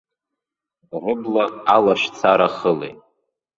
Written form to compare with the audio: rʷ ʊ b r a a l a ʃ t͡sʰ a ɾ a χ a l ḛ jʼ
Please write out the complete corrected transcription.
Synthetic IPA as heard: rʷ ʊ b l a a l a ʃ t͡sʰ a ɾ a χ ə l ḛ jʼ